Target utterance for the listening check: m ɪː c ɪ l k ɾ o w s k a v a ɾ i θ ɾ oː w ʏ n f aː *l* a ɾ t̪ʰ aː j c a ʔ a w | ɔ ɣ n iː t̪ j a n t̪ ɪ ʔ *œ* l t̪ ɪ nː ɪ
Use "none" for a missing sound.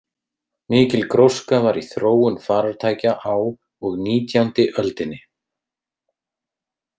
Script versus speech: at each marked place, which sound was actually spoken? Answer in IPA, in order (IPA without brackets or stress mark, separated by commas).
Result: ɾ, œ